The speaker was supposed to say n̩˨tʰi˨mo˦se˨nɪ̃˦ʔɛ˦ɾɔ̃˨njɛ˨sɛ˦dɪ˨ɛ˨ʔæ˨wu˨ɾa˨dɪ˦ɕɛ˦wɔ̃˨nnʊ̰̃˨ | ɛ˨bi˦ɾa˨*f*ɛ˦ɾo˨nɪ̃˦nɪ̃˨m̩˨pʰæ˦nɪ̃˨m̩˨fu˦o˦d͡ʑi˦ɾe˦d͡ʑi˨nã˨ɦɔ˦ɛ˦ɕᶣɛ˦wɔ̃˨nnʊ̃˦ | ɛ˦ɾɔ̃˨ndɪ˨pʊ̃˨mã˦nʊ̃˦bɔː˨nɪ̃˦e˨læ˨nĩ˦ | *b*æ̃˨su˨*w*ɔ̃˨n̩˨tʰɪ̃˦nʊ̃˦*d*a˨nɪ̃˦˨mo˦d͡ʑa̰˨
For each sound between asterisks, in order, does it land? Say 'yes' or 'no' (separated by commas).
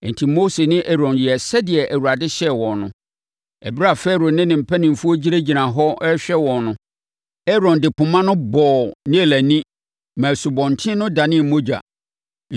yes, no, no, yes